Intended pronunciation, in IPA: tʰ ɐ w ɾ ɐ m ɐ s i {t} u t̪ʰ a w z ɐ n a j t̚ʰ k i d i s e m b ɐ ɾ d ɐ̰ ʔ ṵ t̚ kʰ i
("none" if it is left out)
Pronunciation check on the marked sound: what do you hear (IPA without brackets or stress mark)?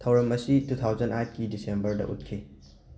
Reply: t